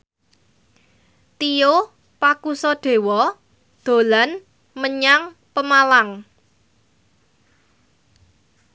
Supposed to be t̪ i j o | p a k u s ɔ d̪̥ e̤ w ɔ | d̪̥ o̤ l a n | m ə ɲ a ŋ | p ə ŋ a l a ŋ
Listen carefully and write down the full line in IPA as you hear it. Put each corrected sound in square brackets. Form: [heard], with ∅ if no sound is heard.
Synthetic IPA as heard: t̪ i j o | p a k u s ɔ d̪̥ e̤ w ɔ | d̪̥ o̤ l a n | m ə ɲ a ŋ | p ə [m] a l a ŋ